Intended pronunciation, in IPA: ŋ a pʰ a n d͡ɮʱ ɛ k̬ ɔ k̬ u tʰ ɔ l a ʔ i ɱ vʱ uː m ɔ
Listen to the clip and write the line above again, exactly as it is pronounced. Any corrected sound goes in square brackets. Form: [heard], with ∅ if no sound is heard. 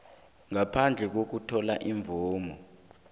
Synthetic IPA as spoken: ŋ a pʰ a n d͡ɮʱ ɛ k̬ [o] k̬ u tʰ ɔ l a ʔ i ɱ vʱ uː m ɔ